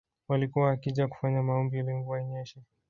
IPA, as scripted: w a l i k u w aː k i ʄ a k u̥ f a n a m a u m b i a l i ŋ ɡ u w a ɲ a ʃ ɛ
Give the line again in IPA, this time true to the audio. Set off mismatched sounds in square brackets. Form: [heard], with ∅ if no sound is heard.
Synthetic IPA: w a l i k u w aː k i ʄ a k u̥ f a [ɲ] a m a [ɔ] m b i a l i ŋ ɡ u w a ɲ [ɛ] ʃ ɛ